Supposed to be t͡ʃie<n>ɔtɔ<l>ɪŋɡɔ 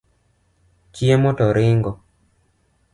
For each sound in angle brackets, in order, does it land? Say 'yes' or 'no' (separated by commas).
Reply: no, no